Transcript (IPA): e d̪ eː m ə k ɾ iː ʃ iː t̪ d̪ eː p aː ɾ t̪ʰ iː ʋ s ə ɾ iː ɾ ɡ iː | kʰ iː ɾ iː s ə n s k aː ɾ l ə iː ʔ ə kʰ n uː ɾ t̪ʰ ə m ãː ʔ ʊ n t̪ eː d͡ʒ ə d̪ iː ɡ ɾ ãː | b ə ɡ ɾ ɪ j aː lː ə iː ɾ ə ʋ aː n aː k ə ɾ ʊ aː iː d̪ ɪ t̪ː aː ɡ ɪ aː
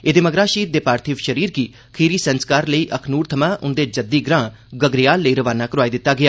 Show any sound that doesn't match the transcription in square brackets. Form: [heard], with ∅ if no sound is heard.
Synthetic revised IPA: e d̪ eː m ə [ɡ] ɾ [aː] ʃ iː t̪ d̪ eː p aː ɾ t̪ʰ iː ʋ [ʃ] ə ɾ iː ɾ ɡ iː | kʰ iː ɾ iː s ə n s k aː ɾ l ə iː ʔ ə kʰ n uː ɾ t̪ʰ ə m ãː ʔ ʊ n [d̪] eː d͡ʒ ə d̪ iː ɡ ɾ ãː | [ɡ] ə ɡ ɾ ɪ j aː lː ə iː ɾ ə ʋ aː n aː k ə ɾ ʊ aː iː d̪ ɪ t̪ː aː ɡ ɪ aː